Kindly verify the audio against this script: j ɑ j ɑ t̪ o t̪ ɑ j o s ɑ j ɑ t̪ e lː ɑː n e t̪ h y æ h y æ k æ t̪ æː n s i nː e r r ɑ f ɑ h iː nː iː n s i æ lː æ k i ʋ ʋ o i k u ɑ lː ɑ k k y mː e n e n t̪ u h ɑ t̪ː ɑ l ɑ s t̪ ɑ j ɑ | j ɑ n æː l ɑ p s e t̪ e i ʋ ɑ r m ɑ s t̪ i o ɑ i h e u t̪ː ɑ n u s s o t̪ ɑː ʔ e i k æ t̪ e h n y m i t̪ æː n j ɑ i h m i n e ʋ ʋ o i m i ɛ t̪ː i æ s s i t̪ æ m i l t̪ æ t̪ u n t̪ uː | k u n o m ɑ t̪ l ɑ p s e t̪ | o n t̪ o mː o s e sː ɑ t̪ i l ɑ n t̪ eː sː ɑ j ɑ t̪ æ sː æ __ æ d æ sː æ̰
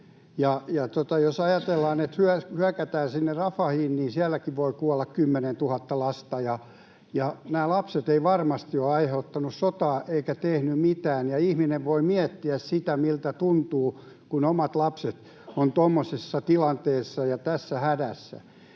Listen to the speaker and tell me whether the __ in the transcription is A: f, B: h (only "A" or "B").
B